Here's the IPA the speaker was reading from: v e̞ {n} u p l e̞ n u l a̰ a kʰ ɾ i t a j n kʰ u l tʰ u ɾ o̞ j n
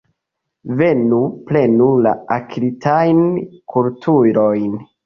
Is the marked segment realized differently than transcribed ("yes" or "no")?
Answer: no